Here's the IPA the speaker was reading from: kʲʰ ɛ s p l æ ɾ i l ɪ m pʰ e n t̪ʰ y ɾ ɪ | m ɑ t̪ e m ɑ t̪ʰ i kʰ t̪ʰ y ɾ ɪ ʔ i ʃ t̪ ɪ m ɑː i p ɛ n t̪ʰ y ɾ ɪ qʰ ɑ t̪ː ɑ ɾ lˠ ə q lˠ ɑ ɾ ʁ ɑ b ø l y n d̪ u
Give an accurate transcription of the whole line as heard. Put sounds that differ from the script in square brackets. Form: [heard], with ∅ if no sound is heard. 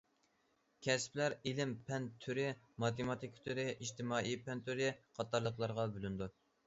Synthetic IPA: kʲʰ ɛ s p l æ ɾ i l ɪ m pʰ [ɛ] n t̪ʰ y ɾ ɪ | m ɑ t̪ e m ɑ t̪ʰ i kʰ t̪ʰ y ɾ ɪ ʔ i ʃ t̪ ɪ m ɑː i p ɛ n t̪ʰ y ɾ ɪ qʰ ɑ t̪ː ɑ ɾ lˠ ə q lˠ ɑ ɾ ʁ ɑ b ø l y n d̪ u